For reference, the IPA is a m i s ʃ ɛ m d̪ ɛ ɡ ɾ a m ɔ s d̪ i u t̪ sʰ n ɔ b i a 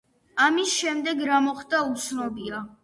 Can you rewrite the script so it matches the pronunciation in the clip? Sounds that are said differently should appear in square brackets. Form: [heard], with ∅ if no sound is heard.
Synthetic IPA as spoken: a m i s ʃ ɛ m d̪ ɛ ɡ ɾ a m ɔ [χ] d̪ [a] u t̪ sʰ n ɔ b i a